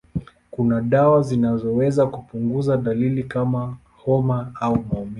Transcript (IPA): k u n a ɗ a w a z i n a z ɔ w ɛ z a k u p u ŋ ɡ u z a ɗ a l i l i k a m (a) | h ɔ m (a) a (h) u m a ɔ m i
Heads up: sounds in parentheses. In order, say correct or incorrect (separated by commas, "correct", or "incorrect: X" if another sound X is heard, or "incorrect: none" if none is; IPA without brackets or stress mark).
correct, correct, incorrect: none